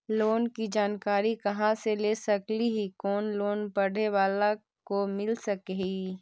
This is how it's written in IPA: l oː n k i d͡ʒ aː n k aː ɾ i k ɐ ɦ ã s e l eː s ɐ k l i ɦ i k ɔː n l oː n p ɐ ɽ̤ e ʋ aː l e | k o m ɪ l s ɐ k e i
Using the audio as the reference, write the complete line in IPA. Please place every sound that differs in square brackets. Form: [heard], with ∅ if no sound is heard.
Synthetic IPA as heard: l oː n k i d͡ʒ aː n k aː ɾ i k ɐ ɦ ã s e l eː s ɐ k l i ɦ i k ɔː n l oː n p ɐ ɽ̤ e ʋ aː l [a] | k o m ɪ l s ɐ k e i